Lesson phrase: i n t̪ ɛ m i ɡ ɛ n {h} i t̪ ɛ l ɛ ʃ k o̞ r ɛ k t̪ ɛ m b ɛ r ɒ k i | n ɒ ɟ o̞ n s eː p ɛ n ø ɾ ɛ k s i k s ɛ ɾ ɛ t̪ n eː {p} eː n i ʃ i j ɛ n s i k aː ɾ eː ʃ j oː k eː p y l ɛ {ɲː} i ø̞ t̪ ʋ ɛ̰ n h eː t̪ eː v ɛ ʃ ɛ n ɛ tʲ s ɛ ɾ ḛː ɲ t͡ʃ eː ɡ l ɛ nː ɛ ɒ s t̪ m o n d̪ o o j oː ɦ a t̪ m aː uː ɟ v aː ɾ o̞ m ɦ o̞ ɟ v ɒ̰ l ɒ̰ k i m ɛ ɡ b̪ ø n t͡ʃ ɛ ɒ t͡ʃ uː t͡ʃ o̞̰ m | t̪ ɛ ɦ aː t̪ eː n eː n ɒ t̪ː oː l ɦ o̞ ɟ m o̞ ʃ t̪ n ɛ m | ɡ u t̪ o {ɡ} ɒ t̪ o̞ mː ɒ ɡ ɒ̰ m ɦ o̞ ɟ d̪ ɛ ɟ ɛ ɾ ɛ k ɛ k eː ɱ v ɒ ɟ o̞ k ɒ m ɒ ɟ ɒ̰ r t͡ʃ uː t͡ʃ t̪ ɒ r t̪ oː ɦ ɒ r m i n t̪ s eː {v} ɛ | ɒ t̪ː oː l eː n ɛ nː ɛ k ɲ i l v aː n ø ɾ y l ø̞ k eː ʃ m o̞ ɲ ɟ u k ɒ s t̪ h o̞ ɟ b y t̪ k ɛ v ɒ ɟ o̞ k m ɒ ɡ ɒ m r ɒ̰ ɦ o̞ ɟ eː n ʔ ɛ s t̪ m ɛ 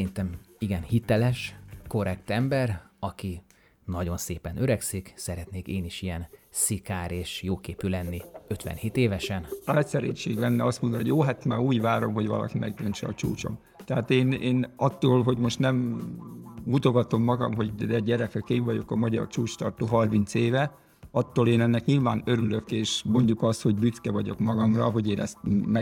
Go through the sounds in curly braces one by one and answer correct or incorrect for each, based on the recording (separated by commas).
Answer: correct, incorrect, incorrect, correct, correct